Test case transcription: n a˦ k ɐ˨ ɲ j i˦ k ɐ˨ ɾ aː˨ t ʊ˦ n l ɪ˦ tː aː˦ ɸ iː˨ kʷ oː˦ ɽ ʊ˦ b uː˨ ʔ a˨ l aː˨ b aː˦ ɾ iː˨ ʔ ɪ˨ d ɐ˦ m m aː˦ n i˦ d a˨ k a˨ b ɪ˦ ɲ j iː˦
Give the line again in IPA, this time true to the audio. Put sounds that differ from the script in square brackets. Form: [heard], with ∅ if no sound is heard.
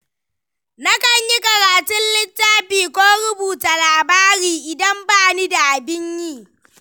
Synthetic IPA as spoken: n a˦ k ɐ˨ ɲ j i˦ k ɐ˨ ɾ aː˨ t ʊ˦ n l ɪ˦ tː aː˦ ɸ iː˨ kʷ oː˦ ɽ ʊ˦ b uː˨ [t] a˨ l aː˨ b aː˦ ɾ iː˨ ʔ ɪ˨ d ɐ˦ m [b] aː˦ n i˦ d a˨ [ʔ] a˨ b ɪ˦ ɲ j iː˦

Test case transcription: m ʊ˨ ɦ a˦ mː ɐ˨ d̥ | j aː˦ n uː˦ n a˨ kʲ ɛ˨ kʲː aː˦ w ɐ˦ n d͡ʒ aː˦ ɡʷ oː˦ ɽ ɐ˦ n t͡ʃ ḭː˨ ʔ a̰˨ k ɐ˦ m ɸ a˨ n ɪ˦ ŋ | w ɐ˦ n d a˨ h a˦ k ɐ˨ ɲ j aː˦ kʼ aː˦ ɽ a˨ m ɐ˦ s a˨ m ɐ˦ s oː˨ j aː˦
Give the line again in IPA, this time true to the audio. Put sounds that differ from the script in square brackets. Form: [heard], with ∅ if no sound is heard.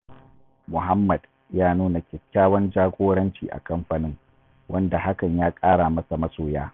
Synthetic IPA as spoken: m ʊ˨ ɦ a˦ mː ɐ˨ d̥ | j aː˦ n uː˦ n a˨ kʲ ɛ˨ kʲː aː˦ w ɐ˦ n d͡ʒ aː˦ ɡʷ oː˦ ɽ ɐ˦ n t͡ʃ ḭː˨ ʔ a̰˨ k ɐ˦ m ɸ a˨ n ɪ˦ ŋ | w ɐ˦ n d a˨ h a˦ k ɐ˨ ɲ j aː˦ kʼ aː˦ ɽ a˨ m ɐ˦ s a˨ m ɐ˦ s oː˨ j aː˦

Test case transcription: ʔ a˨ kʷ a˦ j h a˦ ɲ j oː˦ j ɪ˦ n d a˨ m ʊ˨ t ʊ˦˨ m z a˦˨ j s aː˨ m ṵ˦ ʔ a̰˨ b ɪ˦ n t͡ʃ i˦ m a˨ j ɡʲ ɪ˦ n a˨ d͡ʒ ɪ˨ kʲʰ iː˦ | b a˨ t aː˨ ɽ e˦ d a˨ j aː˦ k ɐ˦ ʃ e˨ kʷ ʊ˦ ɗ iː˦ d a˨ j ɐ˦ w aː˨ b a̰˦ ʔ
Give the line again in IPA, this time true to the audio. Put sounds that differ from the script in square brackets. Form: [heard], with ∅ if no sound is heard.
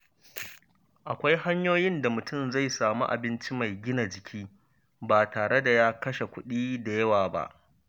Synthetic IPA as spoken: ʔ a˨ kʷ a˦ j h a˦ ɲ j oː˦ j ɪ˦ n d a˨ m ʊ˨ t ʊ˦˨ m z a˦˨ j s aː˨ m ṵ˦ ʔ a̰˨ b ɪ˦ n t͡ʃ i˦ m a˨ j ɡʲ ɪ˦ n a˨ d͡ʒ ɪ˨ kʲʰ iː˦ | b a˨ t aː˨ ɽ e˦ d a˨ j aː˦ k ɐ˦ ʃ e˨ kʷ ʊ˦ ɗ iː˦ d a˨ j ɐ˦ w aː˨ b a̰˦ ʔ

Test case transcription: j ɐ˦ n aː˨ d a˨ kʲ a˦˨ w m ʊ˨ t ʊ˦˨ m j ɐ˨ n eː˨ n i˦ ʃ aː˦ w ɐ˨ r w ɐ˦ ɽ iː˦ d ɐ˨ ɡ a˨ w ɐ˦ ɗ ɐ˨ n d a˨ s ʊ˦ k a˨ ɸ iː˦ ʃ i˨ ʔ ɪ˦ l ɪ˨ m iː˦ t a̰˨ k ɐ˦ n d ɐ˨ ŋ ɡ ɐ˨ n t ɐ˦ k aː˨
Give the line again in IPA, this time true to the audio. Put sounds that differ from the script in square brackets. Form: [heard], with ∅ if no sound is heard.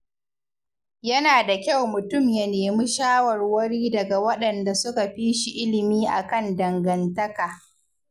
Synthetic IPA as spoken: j ɐ˦ n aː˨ d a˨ kʲ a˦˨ w m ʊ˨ t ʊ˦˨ m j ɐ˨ n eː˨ [m] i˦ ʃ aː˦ w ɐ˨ r w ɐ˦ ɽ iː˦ d ɐ˨ ɡ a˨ w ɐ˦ ɗ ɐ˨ n d a˨ s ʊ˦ k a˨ ɸ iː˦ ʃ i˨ ʔ ɪ˦ l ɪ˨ m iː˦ [ʔ] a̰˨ k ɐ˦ n d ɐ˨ ŋ ɡ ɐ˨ n t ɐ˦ k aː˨

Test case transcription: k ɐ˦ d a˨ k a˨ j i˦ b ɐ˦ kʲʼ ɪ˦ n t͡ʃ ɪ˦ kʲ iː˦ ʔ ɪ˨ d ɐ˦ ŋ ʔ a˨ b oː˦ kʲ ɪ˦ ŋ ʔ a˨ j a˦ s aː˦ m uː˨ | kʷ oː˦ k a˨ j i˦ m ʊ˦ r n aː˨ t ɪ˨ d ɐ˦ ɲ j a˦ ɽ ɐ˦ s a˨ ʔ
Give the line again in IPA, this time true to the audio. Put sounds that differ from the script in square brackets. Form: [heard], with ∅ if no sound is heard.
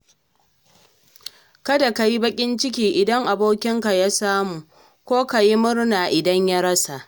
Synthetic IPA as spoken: k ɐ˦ d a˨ k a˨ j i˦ b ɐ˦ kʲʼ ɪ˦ n t͡ʃ ɪ˦ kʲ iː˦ ʔ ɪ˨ d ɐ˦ ŋ ʔ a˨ b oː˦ kʲ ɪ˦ ŋ [k] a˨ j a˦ s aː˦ m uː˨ | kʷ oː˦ k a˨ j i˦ m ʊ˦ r n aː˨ [ʔ] ɪ˨ d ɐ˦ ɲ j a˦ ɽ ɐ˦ s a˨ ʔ

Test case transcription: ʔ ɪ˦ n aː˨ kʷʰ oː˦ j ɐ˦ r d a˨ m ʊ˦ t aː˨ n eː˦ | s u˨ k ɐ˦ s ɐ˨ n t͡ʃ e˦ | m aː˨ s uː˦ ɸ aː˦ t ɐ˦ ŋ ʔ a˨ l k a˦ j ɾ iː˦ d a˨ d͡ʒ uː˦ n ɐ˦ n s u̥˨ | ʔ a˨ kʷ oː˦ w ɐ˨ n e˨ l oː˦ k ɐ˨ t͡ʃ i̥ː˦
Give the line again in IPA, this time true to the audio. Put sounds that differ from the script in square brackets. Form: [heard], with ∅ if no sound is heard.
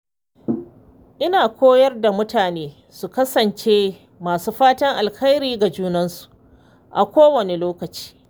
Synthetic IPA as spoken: ʔ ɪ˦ n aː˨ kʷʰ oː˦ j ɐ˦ r d a˨ m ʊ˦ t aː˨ n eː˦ | s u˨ k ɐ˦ s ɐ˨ n t͡ʃ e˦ | m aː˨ s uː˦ ɸ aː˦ t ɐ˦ ŋ ʔ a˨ l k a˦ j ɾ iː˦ [ɡ] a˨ d͡ʒ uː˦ n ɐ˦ n s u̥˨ | ʔ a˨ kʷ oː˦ w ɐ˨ n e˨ l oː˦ k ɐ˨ t͡ʃ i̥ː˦

